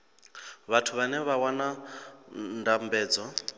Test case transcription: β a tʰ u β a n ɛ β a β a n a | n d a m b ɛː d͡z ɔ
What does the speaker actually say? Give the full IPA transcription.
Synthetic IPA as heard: β a tʰ u β a n ɛ β a w a n a | n d a m b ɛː d͡z ɔ